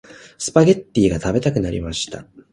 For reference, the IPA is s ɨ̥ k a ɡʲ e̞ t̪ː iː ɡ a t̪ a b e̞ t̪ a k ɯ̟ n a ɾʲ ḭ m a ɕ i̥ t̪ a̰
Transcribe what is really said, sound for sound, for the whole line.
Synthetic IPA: s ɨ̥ p a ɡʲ e̞ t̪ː iː ɡ a t̪ a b e̞ t̪ a k ɯ̟ n a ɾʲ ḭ m a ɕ i̥ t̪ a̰